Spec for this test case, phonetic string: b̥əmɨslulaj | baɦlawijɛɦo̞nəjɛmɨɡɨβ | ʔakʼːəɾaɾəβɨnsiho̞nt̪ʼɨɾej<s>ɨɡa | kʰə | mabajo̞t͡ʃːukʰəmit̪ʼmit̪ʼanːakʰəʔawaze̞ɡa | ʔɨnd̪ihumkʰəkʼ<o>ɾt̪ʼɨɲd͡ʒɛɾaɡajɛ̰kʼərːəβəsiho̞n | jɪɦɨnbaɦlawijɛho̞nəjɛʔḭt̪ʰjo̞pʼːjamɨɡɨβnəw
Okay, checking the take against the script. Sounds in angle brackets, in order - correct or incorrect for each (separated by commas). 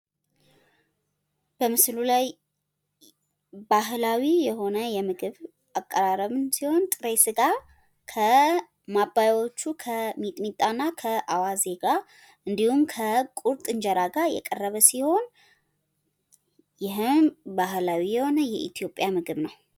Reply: correct, incorrect